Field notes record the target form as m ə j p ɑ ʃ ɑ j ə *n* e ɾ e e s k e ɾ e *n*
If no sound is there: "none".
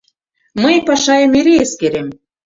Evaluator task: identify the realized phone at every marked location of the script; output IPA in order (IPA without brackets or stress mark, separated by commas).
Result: m, m